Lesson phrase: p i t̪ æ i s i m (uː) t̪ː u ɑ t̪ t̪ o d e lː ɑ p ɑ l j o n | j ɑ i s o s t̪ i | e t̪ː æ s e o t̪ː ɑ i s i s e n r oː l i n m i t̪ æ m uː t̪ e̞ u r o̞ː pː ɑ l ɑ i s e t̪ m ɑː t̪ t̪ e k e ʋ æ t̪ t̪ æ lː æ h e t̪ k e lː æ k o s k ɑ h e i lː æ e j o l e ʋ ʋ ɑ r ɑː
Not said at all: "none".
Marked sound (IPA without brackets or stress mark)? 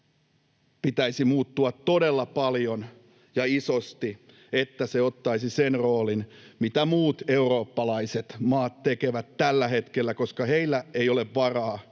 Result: uː